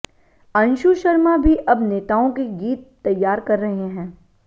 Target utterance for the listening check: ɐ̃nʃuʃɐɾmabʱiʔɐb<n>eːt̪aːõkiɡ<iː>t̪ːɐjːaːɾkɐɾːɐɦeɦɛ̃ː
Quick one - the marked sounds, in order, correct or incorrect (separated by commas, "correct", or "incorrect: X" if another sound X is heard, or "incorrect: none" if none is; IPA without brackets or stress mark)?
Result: correct, correct